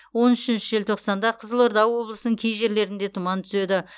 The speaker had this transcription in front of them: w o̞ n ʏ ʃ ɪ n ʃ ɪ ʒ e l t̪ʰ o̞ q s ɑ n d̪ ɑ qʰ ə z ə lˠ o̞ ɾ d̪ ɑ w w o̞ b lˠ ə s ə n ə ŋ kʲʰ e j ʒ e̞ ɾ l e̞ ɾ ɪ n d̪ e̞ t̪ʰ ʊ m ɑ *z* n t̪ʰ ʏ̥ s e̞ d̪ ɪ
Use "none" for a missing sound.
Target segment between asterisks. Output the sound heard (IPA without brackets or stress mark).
none